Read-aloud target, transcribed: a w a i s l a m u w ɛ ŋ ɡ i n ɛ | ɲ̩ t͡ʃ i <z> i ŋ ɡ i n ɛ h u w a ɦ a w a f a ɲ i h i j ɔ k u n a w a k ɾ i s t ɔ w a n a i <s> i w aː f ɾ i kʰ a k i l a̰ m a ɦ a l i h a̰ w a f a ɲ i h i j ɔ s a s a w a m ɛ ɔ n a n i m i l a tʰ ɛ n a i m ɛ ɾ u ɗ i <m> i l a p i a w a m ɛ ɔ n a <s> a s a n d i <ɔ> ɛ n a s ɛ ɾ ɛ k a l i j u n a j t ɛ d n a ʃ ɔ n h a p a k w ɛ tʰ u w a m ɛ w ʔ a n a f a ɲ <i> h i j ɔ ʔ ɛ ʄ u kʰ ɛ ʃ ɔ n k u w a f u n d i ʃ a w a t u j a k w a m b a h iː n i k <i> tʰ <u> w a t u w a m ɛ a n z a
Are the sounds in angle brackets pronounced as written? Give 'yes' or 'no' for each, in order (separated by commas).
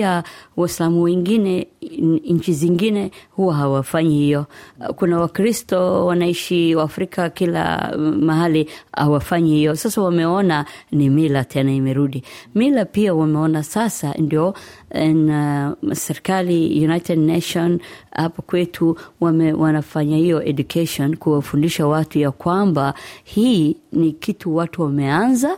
yes, no, yes, yes, yes, no, yes, yes